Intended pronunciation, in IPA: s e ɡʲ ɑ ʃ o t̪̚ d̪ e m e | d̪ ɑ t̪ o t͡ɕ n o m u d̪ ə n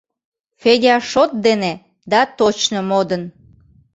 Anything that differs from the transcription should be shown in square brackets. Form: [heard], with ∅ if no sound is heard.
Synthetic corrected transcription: [f] e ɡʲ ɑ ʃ o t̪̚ d̪ e [n] e | d̪ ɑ t̪ o t͡ɕ n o m [o] d̪ ə n